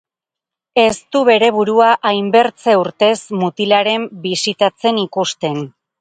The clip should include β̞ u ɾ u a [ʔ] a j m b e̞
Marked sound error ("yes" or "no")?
no